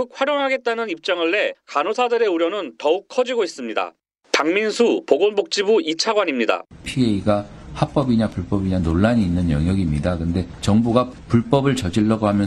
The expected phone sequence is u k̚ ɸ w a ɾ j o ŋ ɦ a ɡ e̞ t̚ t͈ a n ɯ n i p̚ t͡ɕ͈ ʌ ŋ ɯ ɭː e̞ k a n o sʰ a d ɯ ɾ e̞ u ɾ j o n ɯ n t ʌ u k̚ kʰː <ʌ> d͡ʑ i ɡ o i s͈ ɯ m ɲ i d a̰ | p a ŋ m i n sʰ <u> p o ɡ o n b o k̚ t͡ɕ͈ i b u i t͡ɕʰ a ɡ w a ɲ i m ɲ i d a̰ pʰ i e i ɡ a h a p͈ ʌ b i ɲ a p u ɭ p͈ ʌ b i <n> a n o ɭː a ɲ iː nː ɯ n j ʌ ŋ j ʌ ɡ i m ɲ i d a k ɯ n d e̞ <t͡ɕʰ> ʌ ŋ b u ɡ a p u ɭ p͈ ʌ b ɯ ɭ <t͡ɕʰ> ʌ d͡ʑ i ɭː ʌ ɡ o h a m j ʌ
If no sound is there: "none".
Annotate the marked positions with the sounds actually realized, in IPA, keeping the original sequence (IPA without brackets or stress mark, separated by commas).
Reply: ʌ, u, ɲ, t͡ɕ, t͡ɕ